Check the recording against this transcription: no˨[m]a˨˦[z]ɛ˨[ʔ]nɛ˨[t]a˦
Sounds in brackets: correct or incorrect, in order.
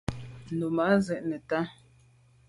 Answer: correct, correct, correct, correct

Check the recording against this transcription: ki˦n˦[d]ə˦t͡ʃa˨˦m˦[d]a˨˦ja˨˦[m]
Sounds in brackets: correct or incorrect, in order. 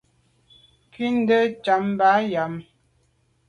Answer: correct, incorrect, correct

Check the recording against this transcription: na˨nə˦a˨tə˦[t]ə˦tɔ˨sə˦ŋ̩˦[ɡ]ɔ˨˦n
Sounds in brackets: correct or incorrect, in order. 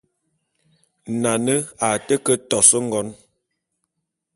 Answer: incorrect, correct

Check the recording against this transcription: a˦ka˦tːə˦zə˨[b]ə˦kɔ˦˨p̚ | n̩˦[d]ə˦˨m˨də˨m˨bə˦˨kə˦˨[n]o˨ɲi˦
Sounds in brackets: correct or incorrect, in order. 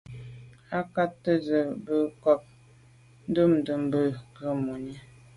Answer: correct, correct, incorrect

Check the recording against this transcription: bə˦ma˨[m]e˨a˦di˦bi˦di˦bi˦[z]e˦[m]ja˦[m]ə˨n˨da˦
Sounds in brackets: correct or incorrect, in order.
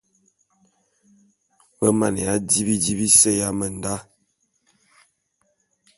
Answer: incorrect, incorrect, incorrect, correct

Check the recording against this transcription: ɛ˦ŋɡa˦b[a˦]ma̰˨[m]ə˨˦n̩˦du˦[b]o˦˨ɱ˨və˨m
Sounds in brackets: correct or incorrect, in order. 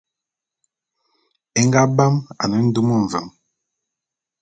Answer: correct, incorrect, incorrect

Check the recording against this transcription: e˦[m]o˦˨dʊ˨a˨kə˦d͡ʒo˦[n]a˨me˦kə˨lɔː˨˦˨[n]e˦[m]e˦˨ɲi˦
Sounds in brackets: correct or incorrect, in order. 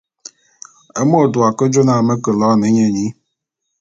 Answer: correct, correct, correct, incorrect

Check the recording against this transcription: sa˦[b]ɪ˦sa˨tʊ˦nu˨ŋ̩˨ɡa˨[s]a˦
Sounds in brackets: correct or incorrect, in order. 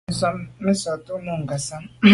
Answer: incorrect, correct

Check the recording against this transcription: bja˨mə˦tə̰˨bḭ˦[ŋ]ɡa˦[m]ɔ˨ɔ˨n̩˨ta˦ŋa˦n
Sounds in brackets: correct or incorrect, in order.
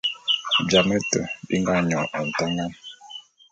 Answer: correct, incorrect

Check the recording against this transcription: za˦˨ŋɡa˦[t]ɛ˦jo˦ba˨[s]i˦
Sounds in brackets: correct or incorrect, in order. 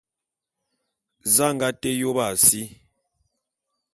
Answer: correct, correct

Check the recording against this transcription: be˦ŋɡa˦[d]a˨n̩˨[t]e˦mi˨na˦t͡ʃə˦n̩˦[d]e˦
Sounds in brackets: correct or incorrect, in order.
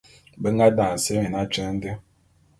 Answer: correct, incorrect, correct

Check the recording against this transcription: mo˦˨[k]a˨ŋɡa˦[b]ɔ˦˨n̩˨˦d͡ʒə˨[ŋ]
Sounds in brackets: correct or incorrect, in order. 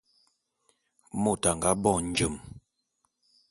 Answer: incorrect, correct, incorrect

